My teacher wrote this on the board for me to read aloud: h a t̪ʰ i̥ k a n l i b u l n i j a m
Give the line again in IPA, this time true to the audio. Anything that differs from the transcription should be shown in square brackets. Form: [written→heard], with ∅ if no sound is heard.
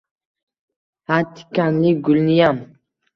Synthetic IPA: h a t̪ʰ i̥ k a n l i [b→ɡ] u l n i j a m